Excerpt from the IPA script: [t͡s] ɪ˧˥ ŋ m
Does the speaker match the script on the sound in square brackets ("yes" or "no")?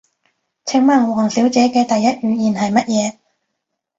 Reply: no